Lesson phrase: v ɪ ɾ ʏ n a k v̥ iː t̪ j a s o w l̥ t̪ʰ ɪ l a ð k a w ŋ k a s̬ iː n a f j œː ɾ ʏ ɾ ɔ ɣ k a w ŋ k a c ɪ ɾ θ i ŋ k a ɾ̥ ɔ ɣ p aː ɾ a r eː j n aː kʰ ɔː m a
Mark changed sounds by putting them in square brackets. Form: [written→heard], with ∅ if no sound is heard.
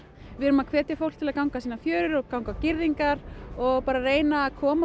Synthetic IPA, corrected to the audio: v ɪ ɾ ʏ [n→m] a [k→kʰ] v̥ [iː→ɛː] t̪ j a [s→f] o w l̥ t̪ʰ ɪ l a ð k a w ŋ k a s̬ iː n a f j œː ɾ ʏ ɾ ɔ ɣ k a w ŋ k a c ɪ ɾ [θ→ð] i ŋ k a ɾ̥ ɔ ɣ p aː ɾ a r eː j n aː kʰ ɔː m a